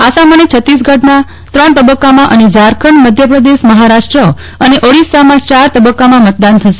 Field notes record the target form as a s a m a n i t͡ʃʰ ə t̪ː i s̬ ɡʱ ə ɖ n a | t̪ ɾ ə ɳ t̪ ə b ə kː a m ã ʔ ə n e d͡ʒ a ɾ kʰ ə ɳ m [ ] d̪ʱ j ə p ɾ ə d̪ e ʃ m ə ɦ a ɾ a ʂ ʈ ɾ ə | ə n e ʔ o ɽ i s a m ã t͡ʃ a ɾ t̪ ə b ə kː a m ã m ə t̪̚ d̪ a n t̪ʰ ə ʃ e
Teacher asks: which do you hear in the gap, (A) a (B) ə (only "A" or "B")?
B